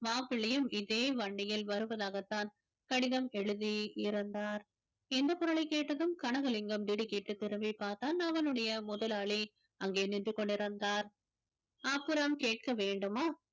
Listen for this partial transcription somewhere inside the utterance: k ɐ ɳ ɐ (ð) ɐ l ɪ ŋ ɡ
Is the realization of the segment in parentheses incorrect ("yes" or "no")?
yes